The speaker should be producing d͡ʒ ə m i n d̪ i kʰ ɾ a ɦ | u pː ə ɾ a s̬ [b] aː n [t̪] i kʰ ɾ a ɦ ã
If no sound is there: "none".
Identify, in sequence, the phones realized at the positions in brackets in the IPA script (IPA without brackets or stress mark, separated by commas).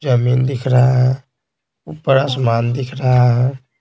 m, d̪